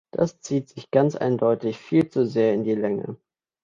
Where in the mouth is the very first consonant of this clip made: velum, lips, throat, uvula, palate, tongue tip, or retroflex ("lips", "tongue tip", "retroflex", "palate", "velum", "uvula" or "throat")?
tongue tip